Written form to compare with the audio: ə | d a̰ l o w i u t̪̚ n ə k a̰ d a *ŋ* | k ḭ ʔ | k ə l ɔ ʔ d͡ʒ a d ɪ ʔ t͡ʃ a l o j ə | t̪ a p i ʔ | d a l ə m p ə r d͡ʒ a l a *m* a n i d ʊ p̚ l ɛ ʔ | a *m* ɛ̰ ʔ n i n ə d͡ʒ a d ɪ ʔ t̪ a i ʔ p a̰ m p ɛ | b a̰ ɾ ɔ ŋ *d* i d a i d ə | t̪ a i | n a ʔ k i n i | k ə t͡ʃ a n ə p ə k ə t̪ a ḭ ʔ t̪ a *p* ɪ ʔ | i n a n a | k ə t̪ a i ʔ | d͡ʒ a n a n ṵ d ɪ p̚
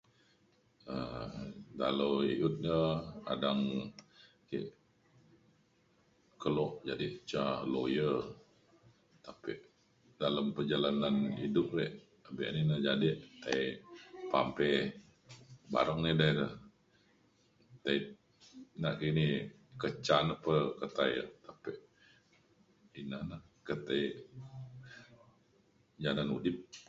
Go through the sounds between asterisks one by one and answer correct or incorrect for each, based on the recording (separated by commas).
correct, incorrect, incorrect, incorrect, correct